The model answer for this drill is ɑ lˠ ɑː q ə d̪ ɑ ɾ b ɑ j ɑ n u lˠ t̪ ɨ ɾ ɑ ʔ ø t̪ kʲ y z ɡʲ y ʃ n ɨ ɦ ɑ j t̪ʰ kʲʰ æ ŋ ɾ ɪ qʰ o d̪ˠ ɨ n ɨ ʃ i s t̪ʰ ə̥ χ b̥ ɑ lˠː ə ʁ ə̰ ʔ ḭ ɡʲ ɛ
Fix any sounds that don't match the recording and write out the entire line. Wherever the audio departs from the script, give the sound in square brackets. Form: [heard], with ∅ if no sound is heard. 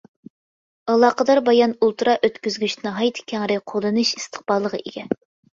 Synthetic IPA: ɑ lˠ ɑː q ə d̪ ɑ ɾ b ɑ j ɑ n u lˠ t̪ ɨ ɾ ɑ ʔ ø t̪ kʲ y z ɡʲ y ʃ n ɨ ɦ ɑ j t̪ʰ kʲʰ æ ŋ ɾ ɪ qʰ o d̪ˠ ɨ n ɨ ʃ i s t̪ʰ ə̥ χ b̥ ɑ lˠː ə ʁ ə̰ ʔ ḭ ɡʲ ɛ